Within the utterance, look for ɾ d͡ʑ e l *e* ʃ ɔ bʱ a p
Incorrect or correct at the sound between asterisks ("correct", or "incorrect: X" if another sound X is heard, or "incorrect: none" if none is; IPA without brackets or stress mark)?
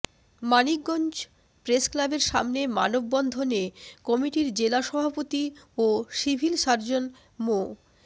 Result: incorrect: a